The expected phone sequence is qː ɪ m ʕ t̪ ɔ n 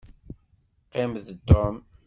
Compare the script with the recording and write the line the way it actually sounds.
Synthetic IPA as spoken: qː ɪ m ð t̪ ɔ m